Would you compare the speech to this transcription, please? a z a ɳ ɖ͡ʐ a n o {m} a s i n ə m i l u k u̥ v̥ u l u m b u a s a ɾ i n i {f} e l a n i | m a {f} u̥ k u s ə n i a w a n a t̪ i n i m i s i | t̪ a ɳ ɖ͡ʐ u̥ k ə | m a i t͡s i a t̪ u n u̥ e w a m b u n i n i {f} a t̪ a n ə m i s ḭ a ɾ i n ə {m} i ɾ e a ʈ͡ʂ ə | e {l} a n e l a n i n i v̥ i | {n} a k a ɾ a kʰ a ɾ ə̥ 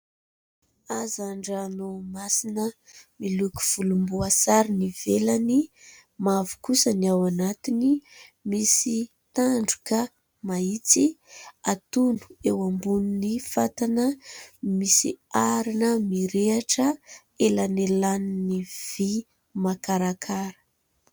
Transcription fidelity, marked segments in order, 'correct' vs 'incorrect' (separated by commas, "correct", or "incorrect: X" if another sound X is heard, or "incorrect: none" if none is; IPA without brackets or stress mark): correct, incorrect: v, incorrect: v, correct, correct, correct, incorrect: m